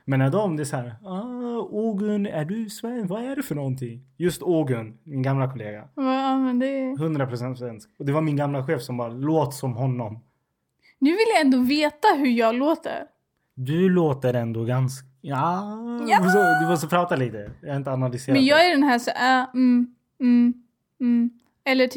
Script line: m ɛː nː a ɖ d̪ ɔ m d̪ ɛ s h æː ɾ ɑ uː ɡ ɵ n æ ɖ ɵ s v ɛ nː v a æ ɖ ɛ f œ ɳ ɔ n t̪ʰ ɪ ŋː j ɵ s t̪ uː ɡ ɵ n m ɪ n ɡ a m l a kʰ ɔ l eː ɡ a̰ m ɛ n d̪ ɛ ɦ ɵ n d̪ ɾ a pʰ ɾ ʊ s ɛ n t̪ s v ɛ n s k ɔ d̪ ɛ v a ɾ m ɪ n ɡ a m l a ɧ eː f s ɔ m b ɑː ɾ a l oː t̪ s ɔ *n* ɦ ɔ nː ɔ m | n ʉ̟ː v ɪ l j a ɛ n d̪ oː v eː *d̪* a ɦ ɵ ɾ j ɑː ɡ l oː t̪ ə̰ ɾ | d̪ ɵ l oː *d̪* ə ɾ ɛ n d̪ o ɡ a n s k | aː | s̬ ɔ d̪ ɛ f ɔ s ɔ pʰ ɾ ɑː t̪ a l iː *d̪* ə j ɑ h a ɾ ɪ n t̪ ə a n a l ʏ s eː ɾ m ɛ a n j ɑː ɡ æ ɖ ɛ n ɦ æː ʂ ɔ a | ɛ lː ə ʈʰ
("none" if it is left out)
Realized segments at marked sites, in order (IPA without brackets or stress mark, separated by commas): m, t̪, t̪, t̪